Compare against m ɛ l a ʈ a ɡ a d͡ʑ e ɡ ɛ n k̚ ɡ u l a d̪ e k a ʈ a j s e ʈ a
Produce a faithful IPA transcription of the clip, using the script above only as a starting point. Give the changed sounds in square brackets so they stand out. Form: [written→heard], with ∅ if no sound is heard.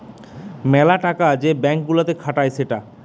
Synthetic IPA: m ɛ l a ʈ a [ɡ→k] a d͡ʑ e [ɡ→b] ɛ [n→ŋ] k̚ ɡ u l a [d̪→t̪] e [k→kʰ] a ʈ a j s e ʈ a